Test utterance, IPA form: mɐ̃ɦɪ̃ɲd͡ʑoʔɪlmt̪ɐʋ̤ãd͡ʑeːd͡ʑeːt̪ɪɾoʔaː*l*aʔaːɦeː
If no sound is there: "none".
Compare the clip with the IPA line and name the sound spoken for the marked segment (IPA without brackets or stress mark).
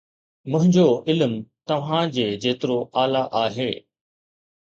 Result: l